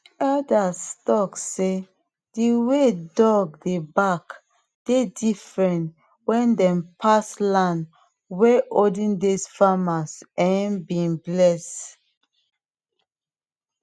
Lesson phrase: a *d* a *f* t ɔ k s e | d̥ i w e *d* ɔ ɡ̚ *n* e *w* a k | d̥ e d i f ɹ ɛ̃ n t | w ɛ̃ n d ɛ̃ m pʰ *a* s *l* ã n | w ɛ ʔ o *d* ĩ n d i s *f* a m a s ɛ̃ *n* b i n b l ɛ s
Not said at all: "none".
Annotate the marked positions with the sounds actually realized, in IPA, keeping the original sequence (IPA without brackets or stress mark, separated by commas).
d, s, d, d, b, a, l, d, f, n